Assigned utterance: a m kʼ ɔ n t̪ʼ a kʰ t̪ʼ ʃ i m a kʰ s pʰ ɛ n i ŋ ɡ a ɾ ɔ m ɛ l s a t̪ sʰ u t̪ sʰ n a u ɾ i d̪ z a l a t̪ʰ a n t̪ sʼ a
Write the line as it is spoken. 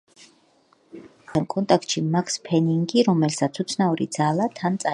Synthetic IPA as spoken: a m kʼ ɔ n t̪ʼ a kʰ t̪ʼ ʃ i m a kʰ s pʰ ɛ n i ŋ ɡ i ɾ ɔ m ɛ l s a t̪ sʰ u t̪ sʰ n a u ɾ i d̪ z a l a t̪ʰ a n t̪ sʼ a